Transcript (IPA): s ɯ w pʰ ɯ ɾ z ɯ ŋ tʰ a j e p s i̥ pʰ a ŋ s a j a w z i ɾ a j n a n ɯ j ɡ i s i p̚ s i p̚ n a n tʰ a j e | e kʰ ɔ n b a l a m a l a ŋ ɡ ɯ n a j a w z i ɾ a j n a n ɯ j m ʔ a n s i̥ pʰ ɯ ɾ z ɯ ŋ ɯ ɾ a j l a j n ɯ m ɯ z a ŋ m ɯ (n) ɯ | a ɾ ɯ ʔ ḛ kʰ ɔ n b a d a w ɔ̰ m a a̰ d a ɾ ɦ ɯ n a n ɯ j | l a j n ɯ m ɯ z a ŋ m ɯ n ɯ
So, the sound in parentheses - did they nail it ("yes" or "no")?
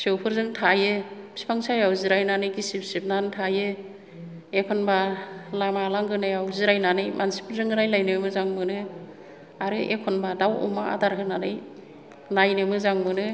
yes